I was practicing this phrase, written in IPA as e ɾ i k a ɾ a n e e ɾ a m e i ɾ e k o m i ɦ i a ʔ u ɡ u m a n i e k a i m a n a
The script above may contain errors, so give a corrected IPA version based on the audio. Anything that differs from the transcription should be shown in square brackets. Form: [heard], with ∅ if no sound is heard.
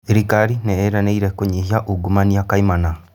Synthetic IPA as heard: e ɾ i k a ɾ [i] n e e ɾ a [n] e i ɾ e k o [ɲ] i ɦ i a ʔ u ɡ u m a n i [a] k a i m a n a